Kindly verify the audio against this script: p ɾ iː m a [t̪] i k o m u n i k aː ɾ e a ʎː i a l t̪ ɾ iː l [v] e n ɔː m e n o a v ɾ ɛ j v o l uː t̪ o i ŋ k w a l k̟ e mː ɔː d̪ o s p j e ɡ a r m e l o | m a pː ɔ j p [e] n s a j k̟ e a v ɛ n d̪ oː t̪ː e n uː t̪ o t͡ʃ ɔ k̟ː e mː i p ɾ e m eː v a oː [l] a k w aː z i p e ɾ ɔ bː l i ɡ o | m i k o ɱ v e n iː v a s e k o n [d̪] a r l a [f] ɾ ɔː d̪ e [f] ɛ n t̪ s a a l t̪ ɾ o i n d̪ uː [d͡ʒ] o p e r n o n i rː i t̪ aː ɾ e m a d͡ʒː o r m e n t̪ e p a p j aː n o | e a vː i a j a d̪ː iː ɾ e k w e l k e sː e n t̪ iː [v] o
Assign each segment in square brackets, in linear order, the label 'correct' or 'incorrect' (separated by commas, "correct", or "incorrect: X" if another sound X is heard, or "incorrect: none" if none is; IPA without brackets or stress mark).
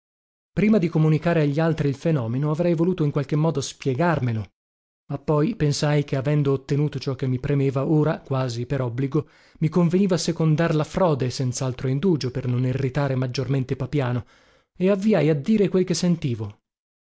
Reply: incorrect: d̪, incorrect: f, correct, incorrect: ɾ, correct, correct, incorrect: s, correct, correct